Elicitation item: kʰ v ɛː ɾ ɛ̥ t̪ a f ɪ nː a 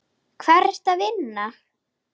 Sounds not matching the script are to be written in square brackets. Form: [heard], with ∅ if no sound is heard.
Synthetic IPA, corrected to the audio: kʰ v [ɛ] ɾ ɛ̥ t̪ a [v] ɪ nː a